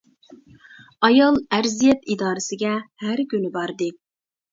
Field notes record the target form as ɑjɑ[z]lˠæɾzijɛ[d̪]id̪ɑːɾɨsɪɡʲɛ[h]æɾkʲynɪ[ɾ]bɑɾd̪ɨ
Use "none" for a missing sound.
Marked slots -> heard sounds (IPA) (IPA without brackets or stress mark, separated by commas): none, t̪, h, none